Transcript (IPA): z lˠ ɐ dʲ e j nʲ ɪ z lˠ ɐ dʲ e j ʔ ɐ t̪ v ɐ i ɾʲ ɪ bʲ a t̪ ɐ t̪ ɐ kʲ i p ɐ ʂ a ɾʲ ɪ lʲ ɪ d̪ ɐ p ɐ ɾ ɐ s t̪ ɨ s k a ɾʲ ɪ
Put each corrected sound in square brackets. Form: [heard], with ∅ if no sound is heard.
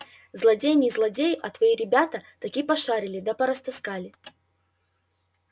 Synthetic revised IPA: z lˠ ɐ dʲ e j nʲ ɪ z lˠ ɐ dʲ e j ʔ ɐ t̪ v ɐ i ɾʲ ɪ bʲ a t̪ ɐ t̪ ɐ kʲ i p ɐ ʂ a ɾʲ ɪ lʲ ɪ d̪ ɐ p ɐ ɾ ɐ s t̪ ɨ s k a [lʲ] ɪ